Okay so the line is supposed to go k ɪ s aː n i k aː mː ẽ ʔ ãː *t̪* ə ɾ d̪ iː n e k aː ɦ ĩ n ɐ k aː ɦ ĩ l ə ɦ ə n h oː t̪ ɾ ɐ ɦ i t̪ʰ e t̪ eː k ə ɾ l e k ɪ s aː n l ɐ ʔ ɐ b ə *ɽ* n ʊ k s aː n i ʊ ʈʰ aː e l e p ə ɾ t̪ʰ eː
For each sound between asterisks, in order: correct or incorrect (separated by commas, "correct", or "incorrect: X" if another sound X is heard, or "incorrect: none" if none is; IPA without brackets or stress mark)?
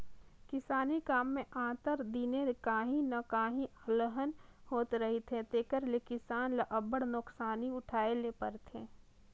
correct, correct